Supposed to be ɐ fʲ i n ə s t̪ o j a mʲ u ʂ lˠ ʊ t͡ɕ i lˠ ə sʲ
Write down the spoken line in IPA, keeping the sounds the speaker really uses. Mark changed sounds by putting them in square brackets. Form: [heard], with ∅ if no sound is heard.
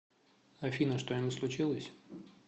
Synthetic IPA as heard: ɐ fʲ i n ə [ʂ] t̪ o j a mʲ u [s] lˠ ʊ t͡ɕ i lˠ ə sʲ